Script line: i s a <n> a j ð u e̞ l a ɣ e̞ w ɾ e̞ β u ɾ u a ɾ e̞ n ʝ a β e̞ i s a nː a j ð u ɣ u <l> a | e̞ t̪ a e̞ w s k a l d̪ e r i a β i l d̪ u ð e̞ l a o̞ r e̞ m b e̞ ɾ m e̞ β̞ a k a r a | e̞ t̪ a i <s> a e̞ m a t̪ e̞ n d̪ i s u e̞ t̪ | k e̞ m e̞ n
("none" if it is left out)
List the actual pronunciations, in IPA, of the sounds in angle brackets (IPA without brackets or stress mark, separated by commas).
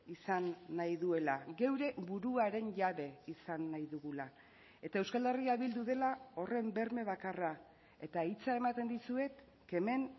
nː, l, t͡s